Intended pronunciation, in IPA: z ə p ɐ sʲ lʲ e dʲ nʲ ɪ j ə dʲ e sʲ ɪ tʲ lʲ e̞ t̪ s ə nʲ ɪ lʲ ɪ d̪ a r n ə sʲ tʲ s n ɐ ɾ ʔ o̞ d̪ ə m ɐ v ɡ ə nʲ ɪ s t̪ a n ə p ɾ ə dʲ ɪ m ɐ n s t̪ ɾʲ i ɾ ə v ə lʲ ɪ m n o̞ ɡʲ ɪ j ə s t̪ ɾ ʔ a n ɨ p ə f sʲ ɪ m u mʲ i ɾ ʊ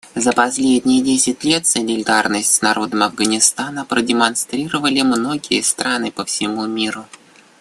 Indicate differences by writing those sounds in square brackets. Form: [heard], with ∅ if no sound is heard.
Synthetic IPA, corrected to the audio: z ə p ɐ sʲ lʲ e dʲ nʲ ɪ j ə dʲ e sʲ ɪ tʲ lʲ e̞ t̪ s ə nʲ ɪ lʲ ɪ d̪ a r n ə sʲ tʲ s n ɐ ɾ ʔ o̞ d̪ ə m ɐ v ɡ ə nʲ ɪ s t̪ a n ə p ɾ ə dʲ ɪ m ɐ n s t̪ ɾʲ i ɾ ə v ə lʲ ɪ m n o̞ ɡʲ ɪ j ə s t̪ ɾ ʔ a n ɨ p ə f sʲ ɪ m u mʲ i ɾ ʊ